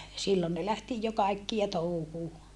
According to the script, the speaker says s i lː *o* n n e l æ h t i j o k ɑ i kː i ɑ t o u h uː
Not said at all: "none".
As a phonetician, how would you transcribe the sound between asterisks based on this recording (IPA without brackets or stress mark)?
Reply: o